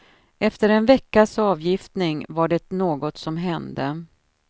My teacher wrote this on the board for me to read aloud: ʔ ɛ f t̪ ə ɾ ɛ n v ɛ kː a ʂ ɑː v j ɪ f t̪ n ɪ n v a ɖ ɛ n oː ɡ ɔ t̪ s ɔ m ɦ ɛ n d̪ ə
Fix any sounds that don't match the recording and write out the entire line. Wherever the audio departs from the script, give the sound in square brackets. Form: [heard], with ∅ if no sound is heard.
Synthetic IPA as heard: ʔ ɛ f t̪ ə ɾ ɛ n v ɛ kː a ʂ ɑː v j ɪ f t̪ n ɪ [ŋ] v a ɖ ɛ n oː ɡ ɔ t̪ s ɔ m ɦ ɛ n d̪ ə